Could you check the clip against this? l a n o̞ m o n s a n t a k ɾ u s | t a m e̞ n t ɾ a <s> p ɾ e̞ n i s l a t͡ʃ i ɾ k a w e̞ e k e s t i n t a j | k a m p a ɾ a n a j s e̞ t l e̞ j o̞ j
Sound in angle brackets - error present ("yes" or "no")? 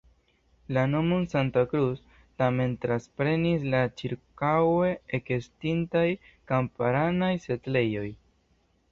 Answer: no